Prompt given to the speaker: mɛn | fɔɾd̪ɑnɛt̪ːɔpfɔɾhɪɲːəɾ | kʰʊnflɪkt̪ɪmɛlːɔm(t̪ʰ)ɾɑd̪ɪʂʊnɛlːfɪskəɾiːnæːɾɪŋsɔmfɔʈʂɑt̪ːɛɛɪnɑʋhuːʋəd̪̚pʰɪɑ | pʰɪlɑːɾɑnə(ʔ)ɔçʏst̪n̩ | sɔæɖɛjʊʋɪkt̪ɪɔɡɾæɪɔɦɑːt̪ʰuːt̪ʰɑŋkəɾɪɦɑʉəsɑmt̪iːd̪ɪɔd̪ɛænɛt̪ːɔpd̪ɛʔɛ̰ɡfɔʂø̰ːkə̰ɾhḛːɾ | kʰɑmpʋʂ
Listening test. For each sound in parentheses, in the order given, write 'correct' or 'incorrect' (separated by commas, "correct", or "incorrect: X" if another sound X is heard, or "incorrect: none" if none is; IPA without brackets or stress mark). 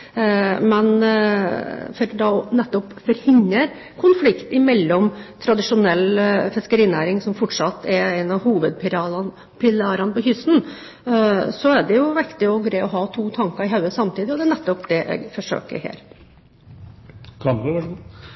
correct, incorrect: p